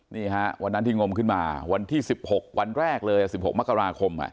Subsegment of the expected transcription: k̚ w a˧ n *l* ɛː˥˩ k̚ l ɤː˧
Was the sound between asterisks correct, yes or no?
no